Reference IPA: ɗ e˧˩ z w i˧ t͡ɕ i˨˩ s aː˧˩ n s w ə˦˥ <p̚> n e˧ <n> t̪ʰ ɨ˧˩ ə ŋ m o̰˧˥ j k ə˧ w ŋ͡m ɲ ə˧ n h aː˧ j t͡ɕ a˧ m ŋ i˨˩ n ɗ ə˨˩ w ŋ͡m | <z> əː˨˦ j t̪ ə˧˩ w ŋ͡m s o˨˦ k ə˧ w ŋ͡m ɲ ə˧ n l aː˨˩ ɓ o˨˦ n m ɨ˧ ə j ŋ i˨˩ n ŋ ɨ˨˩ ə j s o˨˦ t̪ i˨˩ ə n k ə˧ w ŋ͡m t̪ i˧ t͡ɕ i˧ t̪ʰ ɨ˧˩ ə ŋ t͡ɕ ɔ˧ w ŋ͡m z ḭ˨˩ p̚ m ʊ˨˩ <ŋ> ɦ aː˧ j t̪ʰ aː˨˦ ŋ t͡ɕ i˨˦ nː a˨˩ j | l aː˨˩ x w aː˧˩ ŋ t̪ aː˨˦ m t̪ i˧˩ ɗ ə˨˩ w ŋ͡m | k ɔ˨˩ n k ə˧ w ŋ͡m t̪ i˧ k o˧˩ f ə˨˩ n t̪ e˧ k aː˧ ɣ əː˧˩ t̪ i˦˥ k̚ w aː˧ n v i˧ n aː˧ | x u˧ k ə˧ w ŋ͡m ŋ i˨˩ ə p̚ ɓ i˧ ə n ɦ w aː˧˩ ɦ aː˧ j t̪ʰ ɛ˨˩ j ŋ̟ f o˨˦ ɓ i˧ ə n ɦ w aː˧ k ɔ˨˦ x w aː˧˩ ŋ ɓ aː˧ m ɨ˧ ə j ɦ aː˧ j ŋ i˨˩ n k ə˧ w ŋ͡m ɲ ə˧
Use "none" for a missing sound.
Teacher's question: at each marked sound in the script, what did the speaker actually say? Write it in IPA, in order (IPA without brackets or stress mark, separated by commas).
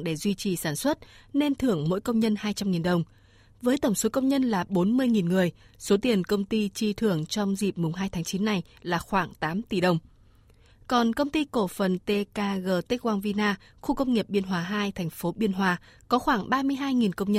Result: t̚, n, v, ŋ͡m